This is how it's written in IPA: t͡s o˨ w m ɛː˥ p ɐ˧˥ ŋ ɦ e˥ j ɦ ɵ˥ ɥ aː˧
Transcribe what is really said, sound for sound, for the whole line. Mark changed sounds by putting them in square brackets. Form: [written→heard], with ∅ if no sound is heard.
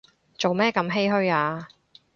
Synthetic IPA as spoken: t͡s o˨ w m ɛː˥ [p→k] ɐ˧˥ [ŋ→m] ɦ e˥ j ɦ ɵ˥ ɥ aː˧